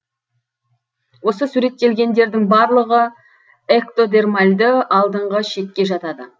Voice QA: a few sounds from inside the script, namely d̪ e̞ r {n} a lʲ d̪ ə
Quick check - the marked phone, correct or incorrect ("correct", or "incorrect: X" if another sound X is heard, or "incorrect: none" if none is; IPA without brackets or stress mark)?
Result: incorrect: m